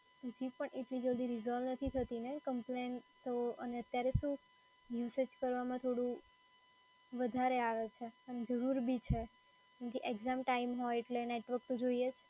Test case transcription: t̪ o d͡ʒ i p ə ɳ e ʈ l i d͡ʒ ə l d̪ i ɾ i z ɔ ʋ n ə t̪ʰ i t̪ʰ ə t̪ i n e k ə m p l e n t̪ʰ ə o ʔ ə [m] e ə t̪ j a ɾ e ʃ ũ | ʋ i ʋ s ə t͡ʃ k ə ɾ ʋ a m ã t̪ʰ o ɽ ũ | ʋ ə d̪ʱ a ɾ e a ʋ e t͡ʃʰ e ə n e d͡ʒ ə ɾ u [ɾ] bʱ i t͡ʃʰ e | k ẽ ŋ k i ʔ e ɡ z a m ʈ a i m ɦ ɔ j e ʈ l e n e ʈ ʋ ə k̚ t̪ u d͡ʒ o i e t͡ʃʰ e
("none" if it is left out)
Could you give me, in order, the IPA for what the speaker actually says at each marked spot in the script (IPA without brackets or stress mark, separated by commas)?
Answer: n, ɾ